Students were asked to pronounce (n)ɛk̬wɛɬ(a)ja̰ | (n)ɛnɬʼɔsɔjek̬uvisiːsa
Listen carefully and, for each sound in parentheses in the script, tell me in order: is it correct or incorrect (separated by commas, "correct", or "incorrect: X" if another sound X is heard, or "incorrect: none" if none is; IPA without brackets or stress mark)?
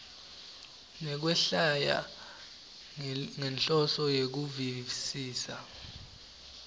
correct, correct, incorrect: ŋ